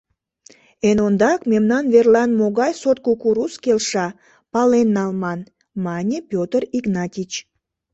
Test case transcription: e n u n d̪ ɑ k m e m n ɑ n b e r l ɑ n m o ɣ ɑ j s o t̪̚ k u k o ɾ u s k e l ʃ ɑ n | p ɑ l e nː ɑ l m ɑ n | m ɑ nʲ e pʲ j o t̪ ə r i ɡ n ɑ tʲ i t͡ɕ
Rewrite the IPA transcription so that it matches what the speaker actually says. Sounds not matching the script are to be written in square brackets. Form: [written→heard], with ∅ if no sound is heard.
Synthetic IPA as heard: e n [u→o] n d̪ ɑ k m e m n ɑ n [b→v] e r l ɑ n m o ɣ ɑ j s o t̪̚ k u k [o→u] ɾ u s k e l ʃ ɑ [n→∅] | p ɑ l e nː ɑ l m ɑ n | m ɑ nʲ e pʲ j o t̪ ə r i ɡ n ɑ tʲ i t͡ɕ